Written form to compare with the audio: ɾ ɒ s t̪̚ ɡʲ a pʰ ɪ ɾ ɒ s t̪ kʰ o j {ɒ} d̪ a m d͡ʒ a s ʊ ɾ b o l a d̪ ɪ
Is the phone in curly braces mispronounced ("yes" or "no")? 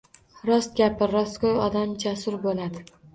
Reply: no